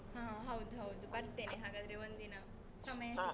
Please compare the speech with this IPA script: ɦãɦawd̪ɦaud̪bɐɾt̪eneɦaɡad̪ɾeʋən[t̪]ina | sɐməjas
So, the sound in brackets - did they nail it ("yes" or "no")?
no